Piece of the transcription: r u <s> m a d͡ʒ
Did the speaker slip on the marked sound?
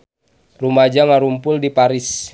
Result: yes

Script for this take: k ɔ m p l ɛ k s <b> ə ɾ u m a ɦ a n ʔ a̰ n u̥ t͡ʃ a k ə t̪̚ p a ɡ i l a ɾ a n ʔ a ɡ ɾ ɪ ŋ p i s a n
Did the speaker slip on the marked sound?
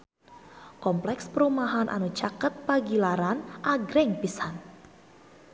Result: yes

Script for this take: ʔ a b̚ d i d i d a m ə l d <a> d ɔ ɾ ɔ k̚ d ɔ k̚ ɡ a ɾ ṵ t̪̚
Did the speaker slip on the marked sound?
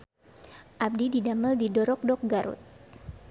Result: yes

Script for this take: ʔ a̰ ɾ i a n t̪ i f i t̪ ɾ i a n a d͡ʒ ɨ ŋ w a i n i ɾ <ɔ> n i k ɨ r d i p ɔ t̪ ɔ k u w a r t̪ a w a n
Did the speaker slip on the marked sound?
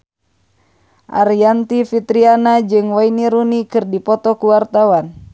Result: yes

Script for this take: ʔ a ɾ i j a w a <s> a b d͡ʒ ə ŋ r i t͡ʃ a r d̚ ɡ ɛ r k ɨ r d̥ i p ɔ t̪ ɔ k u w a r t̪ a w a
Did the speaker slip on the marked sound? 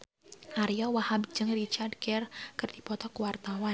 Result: yes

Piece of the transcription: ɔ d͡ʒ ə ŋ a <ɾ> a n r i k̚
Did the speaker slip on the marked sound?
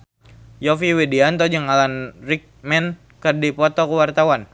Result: yes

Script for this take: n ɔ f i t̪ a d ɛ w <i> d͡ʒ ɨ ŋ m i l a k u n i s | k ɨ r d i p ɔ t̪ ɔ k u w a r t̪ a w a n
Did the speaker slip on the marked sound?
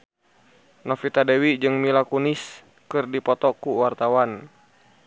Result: no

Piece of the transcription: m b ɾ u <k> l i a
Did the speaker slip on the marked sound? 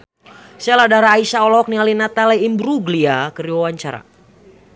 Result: yes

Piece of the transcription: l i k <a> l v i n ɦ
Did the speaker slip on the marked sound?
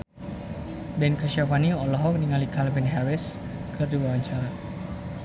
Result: no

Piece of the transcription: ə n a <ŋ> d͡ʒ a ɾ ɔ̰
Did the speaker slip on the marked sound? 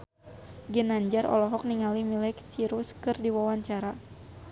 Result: yes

